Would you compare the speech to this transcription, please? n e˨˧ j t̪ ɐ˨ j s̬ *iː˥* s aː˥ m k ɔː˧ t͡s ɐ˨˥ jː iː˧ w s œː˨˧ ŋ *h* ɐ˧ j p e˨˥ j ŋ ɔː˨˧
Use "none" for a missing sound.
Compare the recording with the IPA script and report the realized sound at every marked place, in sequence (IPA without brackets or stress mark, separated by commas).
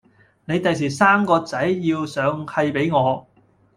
iː˨˩, h